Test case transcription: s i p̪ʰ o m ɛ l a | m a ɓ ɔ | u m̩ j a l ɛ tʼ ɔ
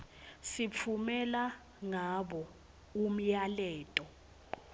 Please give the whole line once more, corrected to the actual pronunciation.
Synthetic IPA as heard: s i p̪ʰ u m ɛ l a | ŋ a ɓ ɔ | u m̩ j a l ɛː tʼ ɔ